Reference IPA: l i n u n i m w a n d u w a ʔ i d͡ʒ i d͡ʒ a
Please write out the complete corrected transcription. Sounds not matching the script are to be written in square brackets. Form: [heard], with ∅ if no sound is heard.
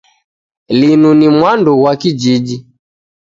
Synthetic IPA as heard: l i n u n i m w a n d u w a [k] i d͡ʒ i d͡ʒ [i]